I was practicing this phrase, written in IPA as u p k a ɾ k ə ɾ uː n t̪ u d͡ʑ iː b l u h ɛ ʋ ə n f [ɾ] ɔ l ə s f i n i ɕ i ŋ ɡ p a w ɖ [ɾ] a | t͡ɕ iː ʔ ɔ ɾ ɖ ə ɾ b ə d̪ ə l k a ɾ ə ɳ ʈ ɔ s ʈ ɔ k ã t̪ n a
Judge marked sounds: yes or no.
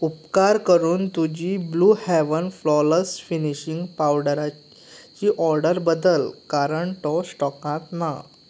no, yes

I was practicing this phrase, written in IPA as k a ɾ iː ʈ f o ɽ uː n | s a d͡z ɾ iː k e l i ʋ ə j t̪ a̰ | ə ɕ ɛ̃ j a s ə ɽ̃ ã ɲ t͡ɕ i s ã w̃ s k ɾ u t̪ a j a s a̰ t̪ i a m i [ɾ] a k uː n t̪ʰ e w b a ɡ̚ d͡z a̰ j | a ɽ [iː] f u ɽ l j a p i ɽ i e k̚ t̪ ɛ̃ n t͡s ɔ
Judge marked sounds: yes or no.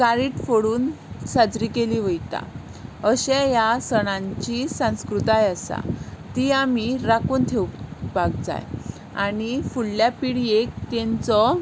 yes, no

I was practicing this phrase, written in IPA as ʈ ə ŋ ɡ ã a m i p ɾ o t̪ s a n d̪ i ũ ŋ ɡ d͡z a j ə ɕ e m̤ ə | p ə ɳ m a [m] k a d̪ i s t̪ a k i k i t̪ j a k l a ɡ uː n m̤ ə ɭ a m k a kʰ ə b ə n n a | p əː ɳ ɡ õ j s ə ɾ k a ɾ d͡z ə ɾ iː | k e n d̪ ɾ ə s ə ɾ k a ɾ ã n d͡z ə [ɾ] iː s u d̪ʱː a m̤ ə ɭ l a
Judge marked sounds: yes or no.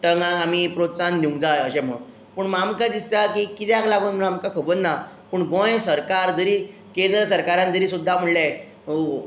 yes, yes

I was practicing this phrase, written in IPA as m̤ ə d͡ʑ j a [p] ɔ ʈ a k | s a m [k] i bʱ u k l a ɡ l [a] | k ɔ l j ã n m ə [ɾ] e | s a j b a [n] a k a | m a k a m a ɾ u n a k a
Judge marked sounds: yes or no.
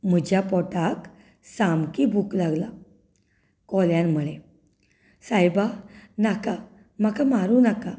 yes, yes, yes, no, yes

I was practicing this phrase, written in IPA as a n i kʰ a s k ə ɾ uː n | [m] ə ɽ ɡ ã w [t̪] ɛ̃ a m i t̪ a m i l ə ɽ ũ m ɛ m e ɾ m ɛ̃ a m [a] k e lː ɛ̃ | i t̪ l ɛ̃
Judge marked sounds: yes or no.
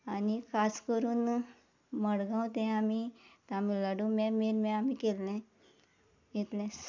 yes, yes, no

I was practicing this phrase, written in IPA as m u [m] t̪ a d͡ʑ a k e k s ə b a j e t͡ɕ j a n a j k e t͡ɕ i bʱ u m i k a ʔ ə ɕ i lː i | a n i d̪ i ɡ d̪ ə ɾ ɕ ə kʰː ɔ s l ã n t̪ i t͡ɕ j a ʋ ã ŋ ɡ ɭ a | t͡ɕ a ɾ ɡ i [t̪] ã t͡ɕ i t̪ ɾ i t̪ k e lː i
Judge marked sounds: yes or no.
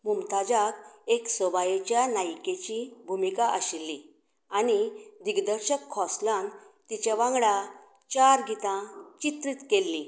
yes, yes

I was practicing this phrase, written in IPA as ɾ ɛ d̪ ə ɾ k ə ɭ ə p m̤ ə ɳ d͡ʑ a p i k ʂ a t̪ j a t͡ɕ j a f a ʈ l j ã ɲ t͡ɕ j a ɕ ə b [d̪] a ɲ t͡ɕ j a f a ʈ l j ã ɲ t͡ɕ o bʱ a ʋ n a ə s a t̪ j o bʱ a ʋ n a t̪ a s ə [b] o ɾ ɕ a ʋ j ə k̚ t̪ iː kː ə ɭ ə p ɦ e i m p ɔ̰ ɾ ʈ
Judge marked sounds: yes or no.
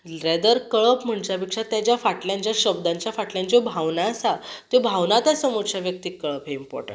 yes, no

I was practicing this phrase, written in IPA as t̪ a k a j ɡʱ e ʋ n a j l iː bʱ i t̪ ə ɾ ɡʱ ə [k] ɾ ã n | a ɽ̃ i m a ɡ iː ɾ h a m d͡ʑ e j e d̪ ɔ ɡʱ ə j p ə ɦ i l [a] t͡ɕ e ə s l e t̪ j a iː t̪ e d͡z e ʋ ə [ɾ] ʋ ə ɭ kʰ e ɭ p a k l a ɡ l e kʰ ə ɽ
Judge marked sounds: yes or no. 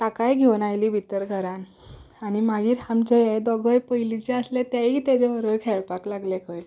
no, no, yes

